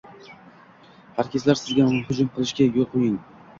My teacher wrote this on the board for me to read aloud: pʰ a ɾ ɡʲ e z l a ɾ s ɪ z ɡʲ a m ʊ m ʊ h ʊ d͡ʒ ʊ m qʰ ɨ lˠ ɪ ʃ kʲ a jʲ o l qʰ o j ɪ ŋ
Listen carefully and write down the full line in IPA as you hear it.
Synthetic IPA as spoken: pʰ a ɾ kʲ e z l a ɾ s ɪ z ɡʲ a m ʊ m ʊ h ʊ d͡ʒ ʊ m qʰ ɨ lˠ ɪ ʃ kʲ a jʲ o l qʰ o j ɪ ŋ